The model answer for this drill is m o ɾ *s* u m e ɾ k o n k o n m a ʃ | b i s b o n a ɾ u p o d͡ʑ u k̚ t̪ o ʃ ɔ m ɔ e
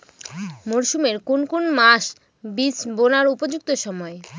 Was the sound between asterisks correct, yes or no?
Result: no